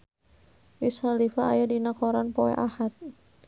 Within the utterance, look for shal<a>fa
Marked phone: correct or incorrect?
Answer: incorrect